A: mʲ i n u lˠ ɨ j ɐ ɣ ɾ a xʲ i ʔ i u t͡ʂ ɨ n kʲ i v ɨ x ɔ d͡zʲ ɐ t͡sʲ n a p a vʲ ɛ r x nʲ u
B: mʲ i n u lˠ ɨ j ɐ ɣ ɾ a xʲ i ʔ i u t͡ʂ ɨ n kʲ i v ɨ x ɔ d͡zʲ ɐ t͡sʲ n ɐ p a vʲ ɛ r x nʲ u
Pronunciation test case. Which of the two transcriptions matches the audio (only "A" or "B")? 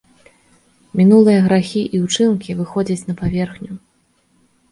B